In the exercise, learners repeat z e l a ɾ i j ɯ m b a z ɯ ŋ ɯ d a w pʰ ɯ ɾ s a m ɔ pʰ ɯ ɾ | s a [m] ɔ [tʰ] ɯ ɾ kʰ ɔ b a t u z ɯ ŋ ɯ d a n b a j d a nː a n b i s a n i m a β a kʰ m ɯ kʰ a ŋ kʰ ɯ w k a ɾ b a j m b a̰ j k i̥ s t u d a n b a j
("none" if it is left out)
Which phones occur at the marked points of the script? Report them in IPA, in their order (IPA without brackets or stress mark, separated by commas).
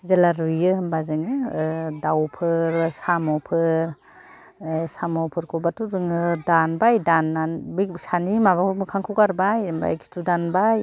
m, pʰ